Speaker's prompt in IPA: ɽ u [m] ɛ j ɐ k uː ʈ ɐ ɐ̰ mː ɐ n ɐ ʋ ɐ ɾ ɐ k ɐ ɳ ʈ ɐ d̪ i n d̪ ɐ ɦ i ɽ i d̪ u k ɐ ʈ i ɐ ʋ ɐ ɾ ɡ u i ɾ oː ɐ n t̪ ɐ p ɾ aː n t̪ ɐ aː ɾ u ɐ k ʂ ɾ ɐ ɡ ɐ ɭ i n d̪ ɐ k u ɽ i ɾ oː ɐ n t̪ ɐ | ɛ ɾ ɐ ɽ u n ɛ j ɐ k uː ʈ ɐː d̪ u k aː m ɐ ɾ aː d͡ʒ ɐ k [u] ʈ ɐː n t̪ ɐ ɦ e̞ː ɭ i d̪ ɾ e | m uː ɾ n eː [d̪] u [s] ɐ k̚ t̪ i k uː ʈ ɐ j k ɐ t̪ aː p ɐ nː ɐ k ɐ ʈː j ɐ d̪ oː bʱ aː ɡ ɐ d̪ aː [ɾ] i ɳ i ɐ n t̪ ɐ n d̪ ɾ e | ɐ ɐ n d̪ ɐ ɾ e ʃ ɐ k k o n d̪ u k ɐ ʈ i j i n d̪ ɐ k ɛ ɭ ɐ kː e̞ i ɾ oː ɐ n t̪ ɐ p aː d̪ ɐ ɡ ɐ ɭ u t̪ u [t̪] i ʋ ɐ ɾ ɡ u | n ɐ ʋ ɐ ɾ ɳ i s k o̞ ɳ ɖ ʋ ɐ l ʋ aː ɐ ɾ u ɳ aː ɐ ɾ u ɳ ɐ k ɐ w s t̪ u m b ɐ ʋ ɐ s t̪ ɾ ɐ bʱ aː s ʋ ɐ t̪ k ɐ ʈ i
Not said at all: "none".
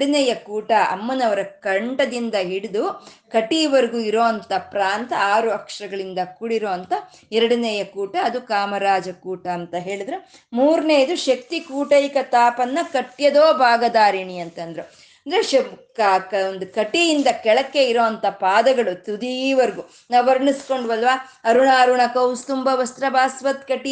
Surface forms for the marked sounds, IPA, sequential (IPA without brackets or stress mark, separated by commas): n, uː, d̪, ʃ, ɾ, d̪